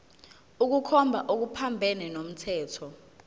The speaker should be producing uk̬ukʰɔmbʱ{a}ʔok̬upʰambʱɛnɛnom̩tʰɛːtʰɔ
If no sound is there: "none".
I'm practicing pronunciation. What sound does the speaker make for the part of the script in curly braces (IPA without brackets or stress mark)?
a